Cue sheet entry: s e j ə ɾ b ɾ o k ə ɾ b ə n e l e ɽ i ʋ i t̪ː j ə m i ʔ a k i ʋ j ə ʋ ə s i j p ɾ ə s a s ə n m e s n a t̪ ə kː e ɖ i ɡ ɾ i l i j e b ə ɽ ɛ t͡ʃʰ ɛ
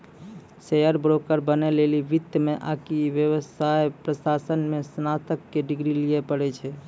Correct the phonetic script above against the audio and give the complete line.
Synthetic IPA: s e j ə ɾ b ɾ o k ə ɾ b ə n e l e l i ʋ i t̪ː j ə m e ʔ a k i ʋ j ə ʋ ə s a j p ɾ ə s a s ə n m e s n a t̪ ə kː e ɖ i ɡ ɾ i l i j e p ə ɽ ɛ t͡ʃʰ ɛ